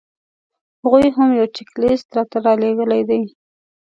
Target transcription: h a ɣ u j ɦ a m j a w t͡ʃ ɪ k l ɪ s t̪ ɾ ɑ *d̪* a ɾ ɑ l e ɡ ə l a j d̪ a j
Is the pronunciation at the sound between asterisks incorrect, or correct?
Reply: incorrect: t̪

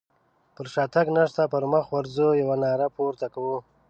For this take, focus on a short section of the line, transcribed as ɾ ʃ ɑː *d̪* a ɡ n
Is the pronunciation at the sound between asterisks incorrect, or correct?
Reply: incorrect: t̪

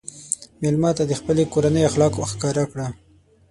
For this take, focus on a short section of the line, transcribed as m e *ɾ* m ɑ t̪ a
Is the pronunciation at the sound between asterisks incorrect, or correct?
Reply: incorrect: l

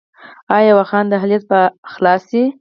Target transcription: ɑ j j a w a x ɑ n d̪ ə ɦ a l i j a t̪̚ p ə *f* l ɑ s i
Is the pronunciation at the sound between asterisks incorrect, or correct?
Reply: incorrect: x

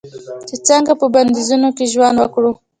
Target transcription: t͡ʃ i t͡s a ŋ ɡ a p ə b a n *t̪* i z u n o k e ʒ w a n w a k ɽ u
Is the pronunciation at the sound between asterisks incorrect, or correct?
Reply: incorrect: d̪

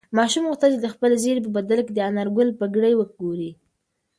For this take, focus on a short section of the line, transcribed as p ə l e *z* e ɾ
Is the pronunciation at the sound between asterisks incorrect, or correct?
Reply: correct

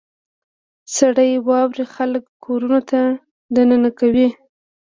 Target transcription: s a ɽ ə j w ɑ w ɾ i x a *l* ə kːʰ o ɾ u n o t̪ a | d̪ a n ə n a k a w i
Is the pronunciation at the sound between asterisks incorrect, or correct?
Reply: correct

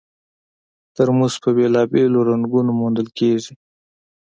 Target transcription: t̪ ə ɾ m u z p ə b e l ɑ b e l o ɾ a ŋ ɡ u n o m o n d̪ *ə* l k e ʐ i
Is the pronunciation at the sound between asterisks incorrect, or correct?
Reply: correct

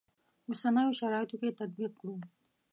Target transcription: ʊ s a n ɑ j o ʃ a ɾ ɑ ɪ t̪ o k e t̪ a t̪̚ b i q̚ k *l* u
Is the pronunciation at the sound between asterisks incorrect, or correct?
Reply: incorrect: ɽ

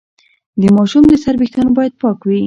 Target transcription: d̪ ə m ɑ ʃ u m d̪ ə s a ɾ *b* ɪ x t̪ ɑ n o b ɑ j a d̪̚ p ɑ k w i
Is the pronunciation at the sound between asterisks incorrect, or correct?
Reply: correct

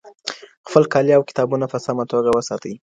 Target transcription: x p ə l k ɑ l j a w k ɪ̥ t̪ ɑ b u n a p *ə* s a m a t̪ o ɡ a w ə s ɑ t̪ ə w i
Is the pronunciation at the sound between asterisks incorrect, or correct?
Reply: correct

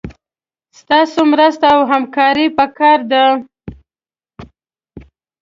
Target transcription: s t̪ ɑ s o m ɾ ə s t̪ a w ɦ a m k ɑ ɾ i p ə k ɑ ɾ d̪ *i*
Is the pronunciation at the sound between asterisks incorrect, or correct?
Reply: incorrect: a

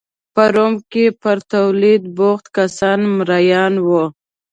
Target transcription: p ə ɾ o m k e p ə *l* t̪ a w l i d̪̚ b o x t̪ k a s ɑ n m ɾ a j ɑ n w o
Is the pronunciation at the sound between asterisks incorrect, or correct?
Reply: incorrect: ɾ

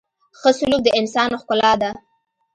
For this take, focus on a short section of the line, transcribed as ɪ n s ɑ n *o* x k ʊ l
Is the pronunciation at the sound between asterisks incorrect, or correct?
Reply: correct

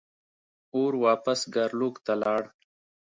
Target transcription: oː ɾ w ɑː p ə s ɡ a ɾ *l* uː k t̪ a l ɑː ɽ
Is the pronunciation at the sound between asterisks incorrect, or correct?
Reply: correct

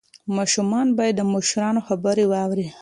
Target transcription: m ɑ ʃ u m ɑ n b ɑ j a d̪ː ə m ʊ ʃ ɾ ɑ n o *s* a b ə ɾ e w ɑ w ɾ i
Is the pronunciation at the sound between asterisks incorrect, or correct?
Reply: incorrect: x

